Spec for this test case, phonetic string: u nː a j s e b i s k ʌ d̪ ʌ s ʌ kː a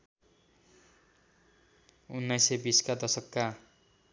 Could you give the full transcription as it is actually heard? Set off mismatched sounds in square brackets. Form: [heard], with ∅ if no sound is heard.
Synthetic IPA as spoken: u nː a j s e b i s k [a] d̪ ʌ s ʌ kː a